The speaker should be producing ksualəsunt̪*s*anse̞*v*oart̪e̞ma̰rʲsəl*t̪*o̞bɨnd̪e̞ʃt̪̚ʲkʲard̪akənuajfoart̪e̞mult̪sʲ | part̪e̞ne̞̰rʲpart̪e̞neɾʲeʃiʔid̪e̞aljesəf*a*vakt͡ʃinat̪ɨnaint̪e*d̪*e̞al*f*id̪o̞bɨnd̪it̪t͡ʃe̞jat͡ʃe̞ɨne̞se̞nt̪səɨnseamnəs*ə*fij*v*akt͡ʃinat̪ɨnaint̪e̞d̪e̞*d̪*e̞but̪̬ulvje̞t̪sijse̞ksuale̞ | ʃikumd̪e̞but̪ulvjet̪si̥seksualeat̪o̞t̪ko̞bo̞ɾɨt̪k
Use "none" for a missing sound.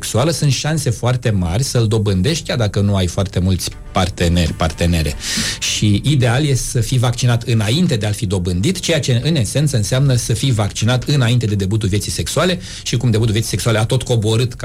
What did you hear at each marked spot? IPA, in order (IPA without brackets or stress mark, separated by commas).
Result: ʃ, f, d̪, i, d̪, f, ə, v, d̪